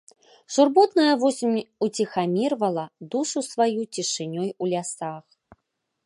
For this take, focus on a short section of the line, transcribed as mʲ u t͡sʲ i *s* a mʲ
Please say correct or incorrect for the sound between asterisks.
incorrect